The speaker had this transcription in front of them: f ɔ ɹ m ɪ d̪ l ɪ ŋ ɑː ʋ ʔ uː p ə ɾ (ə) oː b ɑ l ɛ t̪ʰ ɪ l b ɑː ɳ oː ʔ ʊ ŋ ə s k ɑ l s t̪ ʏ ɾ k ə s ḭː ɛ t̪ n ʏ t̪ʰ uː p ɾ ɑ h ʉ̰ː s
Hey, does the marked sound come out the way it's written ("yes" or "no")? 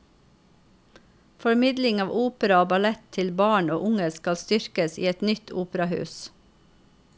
no